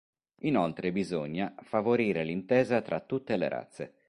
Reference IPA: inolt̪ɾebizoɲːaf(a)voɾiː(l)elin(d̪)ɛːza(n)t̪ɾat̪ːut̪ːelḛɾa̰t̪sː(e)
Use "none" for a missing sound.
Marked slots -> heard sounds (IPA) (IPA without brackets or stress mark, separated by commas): a, ɾ, t̪, none, e